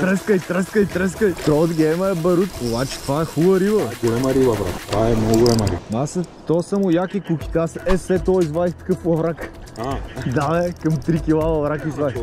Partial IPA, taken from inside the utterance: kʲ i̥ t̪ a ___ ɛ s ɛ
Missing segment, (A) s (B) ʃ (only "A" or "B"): A